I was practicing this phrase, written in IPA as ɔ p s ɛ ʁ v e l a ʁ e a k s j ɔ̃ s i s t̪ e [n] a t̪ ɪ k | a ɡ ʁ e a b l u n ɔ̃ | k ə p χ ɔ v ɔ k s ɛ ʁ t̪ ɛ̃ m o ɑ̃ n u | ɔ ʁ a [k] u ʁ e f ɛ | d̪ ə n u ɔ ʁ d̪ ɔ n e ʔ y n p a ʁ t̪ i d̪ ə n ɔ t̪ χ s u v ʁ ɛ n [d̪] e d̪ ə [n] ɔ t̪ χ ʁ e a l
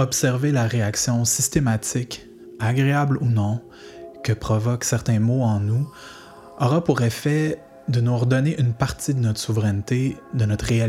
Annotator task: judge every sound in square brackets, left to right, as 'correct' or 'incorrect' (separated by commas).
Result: incorrect, incorrect, incorrect, correct